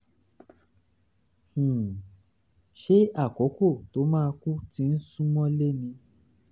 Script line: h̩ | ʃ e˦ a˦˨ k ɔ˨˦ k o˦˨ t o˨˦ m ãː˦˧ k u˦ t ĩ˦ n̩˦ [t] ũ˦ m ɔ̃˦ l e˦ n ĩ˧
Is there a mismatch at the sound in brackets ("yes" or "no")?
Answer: yes